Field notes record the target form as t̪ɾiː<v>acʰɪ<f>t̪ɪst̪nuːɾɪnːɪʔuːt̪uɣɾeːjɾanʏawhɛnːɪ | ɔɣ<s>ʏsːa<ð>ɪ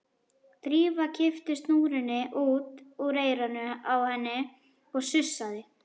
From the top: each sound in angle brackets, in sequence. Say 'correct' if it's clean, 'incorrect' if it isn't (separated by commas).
correct, correct, correct, correct